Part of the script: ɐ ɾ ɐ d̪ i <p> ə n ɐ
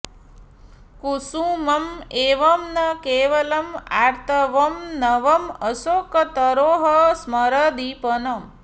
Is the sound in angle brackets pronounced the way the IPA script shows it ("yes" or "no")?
yes